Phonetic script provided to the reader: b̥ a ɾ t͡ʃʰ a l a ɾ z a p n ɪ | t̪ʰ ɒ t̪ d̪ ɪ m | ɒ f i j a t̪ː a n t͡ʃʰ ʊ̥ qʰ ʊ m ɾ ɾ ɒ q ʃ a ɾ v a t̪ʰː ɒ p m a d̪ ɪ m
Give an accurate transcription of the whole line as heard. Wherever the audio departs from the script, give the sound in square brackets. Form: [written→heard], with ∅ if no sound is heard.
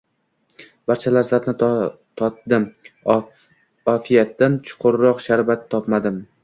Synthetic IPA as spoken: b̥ a ɾ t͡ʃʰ a l a ɾ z a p n ɪ | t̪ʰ ɒ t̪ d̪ ɪ m | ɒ f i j a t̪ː a n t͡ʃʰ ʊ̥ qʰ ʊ [m→∅] ɾ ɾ ɒ q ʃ a ɾ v a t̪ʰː ɒ p m a d̪ ɪ m

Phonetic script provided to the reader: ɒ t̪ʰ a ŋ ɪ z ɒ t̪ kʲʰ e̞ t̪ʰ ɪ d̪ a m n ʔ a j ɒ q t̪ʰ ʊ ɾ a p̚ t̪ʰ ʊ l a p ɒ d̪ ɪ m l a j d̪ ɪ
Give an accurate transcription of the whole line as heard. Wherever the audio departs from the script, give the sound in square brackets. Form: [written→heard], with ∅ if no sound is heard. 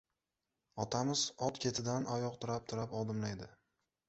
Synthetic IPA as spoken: ɒ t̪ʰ a [ŋ→m] ɪ z ɒ t̪ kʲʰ e̞ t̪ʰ ɪ d̪ a [m→∅] n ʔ a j ɒ q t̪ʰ ʊ ɾ a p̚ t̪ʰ ʊ [l→ɾ] a p ɒ d̪ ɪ m l a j d̪ ɪ

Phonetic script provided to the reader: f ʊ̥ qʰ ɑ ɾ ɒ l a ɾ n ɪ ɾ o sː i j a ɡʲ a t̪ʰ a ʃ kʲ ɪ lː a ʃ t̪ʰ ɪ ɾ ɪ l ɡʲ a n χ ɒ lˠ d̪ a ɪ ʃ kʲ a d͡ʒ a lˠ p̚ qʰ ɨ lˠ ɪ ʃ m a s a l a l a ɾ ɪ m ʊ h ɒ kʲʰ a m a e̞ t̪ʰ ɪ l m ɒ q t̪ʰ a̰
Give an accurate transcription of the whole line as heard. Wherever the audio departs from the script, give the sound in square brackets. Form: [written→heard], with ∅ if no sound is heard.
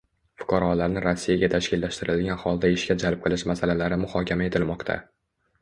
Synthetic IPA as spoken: f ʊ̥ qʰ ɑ ɾ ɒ l a ɾ n ɪ ɾ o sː i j a ɡʲ a t̪ʰ a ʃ kʲ ɪ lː a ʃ [t̪ʰ→t̪] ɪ ɾ ɪ l ɡʲ a n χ ɒ lˠ d̪ a ɪ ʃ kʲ a d͡ʒ a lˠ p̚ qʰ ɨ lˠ ɪ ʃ m a s a l a l a ɾ ɪ m ʊ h ɒ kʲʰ a m a e̞ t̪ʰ ɪ l m ɒ q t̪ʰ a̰

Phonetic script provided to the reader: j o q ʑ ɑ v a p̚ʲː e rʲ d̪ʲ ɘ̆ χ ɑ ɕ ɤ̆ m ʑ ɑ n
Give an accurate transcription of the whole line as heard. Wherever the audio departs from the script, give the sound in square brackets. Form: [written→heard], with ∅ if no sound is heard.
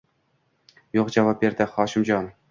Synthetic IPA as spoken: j o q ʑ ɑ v [a→ɑ] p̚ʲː e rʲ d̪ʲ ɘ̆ χ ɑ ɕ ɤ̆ m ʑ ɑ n

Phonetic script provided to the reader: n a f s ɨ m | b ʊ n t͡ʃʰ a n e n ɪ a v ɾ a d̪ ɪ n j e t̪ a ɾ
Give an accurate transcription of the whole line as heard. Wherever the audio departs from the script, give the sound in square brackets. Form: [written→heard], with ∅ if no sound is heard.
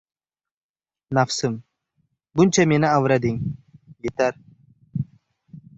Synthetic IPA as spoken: n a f s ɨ m | b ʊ n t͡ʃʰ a [n→m] e n ɪ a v ɾ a d̪ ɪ [n→ŋ] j e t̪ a ɾ

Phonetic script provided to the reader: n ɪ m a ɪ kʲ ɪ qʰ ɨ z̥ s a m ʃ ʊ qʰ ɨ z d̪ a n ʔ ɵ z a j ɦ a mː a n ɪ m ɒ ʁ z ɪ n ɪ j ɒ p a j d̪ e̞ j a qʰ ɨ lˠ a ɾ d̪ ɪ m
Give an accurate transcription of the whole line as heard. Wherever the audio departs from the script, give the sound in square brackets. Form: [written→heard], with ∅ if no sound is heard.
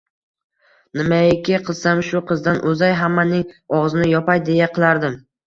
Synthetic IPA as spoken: n ɪ m a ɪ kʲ ɪ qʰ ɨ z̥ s a m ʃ ʊ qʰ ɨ z d̪ a n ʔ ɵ z a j ɦ a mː a n ɪ [m→ŋ] ɒ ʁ z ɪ n ɪ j ɒ p a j d̪ e̞ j a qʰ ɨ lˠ a ɾ d̪ ɪ m

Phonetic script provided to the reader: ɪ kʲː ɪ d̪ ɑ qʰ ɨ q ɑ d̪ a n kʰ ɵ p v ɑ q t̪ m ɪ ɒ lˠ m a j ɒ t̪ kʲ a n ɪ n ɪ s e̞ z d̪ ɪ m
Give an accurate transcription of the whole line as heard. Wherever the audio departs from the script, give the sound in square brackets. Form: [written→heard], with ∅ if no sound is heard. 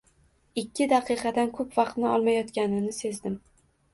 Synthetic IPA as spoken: ɪ kʲː ɪ d̪ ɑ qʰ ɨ q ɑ d̪ a n kʰ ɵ p v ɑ q t̪ [m→n] ɪ ɒ lˠ m a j ɒ t̪ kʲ a n ɪ n ɪ s e̞ z d̪ ɪ m

